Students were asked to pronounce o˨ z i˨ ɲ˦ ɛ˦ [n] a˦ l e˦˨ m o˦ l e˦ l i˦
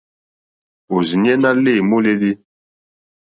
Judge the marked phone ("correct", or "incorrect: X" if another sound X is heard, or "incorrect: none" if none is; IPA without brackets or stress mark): correct